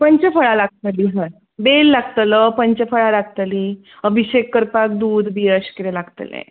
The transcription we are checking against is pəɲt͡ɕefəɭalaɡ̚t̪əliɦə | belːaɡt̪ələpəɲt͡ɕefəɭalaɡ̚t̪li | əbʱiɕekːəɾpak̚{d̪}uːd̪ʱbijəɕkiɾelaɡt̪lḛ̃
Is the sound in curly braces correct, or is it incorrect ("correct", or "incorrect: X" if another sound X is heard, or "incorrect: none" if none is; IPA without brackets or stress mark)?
correct